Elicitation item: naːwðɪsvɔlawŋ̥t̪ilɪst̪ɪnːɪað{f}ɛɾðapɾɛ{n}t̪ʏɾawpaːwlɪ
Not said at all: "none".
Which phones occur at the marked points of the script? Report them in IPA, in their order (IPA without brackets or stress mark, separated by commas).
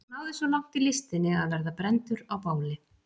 v, n